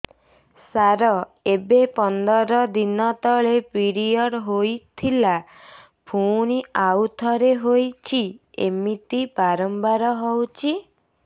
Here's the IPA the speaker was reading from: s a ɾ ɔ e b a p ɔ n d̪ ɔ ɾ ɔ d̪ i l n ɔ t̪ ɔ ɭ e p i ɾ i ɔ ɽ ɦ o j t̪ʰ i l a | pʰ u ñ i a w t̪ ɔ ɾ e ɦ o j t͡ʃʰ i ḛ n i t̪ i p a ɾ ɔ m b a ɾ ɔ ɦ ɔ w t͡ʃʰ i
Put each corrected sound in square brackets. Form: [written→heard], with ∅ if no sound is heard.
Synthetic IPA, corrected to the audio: s a ɾ ɔ e b [a→e] p ɔ n d̪ ɔ ɾ ɔ d̪ i [l→∅] n ɔ t̪ ɔ ɭ e p i ɾ i ɔ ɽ ɦ o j t̪ʰ i l a | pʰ u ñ i a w [t̪→t̪ʰ] ɔ ɾ e ɦ o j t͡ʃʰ i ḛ [n→m] i t̪ i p a ɾ ɔ m b a ɾ ɔ ɦ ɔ w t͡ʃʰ i